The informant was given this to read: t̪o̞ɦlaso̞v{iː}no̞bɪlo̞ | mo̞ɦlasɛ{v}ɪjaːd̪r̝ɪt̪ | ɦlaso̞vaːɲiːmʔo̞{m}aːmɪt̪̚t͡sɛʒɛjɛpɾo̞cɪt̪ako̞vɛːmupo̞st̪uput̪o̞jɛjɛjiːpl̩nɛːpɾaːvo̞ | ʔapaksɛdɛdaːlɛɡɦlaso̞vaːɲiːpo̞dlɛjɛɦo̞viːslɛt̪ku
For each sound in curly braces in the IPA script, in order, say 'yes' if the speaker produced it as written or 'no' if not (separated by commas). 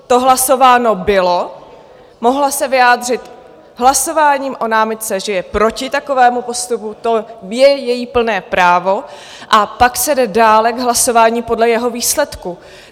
no, yes, no